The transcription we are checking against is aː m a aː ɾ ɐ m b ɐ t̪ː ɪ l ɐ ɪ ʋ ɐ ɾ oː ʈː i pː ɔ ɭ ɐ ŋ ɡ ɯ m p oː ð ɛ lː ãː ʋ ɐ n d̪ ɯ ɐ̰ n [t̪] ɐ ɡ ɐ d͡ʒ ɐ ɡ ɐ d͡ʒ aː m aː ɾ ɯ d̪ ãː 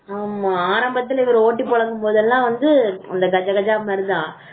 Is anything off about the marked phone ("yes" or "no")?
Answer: yes